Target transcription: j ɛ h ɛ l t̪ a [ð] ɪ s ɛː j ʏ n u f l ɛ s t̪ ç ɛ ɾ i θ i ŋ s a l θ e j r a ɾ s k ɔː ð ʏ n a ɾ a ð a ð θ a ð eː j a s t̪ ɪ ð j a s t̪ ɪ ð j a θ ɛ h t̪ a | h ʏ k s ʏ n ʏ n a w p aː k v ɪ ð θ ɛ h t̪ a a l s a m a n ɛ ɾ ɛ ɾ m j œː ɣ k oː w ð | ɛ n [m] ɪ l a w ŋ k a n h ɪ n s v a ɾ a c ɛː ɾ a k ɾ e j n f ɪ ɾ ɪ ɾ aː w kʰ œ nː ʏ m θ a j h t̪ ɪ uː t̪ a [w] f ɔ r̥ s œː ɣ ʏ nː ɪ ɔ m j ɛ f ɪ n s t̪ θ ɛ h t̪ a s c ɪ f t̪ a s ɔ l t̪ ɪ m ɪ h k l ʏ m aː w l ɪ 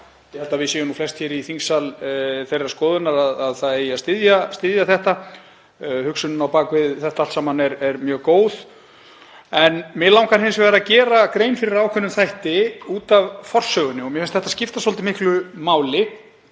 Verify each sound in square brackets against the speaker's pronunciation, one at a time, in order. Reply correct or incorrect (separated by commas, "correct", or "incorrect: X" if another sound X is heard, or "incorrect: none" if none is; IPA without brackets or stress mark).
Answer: incorrect: v, correct, incorrect: v